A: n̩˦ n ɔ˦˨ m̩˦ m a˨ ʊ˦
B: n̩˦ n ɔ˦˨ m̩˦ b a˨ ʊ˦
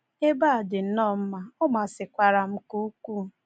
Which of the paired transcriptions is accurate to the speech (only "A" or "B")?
A